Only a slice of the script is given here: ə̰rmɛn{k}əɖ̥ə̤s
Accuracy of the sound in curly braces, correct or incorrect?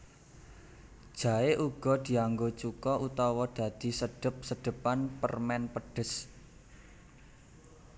incorrect